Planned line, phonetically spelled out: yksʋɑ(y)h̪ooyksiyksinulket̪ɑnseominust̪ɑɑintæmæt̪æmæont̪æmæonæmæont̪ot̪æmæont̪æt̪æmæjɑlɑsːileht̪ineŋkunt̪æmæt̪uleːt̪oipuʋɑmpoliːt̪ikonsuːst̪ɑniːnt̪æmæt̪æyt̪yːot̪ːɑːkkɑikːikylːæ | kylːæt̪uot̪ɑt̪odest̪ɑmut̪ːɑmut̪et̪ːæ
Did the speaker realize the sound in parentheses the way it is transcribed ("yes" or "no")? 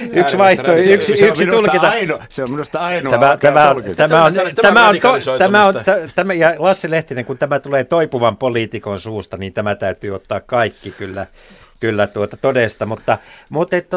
no